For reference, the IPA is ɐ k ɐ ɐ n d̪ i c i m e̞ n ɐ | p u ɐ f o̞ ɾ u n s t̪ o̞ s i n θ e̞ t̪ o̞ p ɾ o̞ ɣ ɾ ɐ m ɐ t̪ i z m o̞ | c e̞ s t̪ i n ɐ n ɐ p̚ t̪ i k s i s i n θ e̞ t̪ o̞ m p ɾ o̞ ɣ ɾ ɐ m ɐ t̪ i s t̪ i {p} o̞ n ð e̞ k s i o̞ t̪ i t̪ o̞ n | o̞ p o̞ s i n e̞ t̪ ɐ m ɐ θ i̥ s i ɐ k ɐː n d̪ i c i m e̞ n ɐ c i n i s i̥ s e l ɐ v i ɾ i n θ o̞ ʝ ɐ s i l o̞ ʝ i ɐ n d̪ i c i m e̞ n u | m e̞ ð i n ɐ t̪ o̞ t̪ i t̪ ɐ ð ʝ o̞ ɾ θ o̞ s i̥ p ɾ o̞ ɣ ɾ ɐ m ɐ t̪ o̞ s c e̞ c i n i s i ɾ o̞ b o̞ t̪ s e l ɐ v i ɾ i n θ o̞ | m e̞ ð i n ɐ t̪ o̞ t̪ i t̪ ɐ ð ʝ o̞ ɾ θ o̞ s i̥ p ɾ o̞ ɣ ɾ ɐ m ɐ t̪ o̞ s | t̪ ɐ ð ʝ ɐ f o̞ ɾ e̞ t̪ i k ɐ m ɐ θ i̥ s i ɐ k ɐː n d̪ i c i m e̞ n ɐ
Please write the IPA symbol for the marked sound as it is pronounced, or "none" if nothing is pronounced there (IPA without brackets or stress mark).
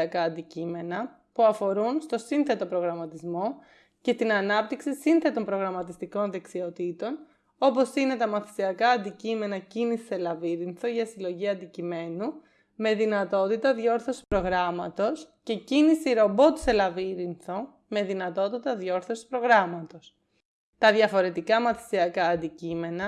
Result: k